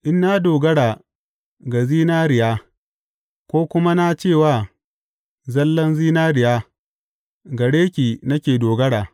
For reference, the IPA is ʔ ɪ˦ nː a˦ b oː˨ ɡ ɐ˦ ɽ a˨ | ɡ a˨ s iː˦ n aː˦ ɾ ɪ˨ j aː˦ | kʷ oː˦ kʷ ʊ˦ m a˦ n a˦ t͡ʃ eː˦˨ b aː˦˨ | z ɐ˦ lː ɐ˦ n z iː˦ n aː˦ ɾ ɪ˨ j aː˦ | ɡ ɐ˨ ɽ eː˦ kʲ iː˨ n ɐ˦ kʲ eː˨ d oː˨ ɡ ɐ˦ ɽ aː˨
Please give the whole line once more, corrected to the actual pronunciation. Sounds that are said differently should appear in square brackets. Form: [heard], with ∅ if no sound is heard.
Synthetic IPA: ʔ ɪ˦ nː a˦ [d] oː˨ ɡ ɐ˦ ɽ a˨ | ɡ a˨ [z] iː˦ n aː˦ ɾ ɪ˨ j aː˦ | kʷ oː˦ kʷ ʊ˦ m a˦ n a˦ t͡ʃ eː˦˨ [w] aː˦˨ | z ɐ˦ lː ɐ˦ n z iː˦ n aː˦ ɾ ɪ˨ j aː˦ | ɡ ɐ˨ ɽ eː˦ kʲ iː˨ n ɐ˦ kʲ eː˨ d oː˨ ɡ ɐ˦ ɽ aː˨